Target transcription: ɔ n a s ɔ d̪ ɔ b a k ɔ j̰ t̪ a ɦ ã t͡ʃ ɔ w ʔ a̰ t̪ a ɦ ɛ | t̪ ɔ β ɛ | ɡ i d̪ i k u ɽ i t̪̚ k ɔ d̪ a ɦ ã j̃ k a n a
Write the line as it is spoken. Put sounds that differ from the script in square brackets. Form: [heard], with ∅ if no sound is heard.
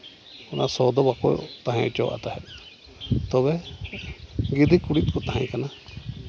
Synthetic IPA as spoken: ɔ n a s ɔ d̪ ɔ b a k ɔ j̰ t̪ a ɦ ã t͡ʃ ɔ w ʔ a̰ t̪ a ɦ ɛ | t̪ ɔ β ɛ | ɡ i d̪ i k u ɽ i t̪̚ k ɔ [t̪] a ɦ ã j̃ k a n a